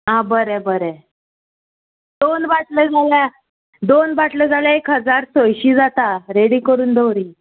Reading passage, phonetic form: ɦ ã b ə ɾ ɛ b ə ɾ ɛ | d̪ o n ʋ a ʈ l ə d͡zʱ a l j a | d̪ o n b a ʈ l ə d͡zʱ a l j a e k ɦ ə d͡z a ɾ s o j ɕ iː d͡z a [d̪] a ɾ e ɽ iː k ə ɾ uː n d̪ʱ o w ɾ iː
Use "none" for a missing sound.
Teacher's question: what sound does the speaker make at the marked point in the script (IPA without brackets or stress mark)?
t̪